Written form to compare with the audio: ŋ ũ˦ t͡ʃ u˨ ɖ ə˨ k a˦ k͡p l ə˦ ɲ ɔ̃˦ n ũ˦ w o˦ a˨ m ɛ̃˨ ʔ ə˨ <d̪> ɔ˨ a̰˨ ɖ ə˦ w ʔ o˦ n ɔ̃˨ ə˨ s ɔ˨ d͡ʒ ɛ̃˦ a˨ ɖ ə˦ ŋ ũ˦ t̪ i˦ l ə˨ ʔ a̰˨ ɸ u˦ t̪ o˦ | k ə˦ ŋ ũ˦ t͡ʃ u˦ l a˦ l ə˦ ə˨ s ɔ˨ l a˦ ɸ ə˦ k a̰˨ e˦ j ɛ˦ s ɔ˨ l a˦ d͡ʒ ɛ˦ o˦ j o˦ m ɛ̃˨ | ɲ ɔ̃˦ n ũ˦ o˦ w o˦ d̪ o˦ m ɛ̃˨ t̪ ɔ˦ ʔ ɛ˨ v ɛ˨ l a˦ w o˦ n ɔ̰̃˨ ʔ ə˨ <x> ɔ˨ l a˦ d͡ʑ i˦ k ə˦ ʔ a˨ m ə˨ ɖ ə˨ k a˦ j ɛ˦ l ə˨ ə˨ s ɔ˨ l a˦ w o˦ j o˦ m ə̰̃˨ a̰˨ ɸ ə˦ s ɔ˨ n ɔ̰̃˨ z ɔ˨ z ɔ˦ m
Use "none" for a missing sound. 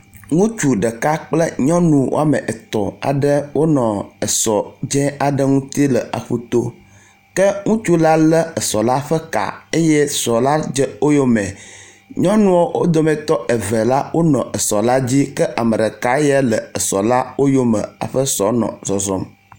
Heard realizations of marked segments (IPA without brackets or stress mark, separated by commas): t̪, s